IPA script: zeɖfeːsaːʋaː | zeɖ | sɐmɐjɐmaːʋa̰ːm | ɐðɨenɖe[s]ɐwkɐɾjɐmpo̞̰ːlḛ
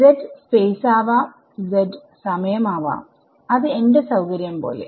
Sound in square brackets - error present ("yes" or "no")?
no